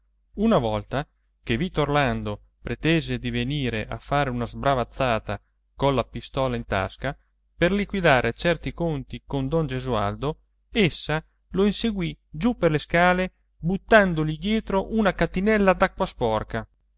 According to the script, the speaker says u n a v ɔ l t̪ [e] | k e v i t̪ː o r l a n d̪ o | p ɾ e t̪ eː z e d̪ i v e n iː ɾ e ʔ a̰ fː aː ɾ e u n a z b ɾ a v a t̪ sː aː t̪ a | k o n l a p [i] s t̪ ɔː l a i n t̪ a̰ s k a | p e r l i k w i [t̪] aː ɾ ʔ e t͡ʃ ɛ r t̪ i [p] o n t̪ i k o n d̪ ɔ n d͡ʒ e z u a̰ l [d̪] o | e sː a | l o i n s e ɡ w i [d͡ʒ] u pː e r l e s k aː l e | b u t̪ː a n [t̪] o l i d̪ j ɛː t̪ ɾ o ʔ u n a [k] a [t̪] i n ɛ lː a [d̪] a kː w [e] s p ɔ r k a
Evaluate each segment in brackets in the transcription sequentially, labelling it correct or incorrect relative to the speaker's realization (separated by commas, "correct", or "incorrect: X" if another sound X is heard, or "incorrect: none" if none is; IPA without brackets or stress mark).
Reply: incorrect: a, correct, incorrect: d̪, incorrect: k, correct, correct, incorrect: d̪, correct, correct, correct, incorrect: a